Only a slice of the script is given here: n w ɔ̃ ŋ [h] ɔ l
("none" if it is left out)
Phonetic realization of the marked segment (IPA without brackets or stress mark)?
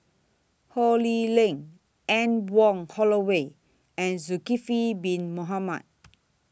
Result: h